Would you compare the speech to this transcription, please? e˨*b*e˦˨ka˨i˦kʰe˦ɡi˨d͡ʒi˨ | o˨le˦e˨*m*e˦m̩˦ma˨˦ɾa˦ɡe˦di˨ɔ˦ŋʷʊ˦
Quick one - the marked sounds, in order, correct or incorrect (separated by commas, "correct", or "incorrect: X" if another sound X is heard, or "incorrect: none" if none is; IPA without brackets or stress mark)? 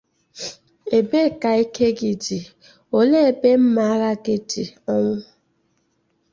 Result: correct, incorrect: b